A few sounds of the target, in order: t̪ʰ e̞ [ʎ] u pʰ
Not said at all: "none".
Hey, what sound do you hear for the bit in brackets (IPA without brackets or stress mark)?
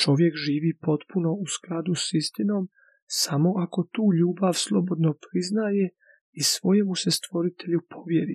ʎ